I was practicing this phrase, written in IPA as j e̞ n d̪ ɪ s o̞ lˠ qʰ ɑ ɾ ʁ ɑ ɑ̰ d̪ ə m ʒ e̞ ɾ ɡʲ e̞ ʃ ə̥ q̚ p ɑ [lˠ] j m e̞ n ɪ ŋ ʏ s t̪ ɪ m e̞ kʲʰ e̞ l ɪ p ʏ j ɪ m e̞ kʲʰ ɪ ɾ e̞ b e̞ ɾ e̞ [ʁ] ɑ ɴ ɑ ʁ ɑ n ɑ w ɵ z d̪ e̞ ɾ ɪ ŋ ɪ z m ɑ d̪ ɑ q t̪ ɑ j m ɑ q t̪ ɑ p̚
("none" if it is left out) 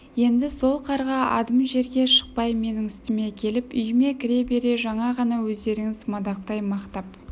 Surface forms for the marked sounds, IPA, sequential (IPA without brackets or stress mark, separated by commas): none, ʒ